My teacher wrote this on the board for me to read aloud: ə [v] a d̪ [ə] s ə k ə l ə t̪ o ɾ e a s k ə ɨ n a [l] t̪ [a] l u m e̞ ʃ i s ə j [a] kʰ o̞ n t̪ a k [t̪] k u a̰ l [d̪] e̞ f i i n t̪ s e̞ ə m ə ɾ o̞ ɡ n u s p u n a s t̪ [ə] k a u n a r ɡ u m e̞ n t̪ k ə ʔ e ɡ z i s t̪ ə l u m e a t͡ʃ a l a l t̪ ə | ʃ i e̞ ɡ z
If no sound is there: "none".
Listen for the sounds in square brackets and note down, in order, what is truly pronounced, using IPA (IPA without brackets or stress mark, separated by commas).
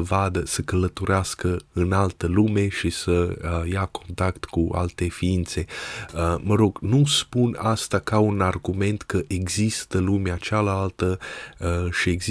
v, ə, l, ə, a, t̪, t̪, a